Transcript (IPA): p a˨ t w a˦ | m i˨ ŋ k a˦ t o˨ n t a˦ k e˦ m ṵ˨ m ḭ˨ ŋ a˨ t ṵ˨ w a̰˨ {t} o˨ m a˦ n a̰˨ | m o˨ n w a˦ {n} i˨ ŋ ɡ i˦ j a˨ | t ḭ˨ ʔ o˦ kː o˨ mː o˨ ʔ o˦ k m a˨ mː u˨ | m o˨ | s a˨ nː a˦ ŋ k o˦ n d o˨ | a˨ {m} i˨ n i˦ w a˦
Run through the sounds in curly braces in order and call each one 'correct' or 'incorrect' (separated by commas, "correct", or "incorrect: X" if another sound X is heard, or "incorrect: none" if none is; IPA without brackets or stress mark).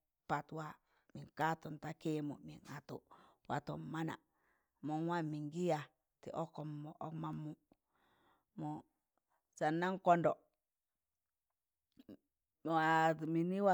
correct, incorrect: m, correct